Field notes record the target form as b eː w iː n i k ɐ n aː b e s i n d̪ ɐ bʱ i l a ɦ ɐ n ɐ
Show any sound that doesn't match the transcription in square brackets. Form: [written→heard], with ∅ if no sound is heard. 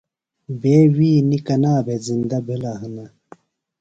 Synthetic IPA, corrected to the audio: b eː w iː n i k ɐ n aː b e [s→z] i n d̪ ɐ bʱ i l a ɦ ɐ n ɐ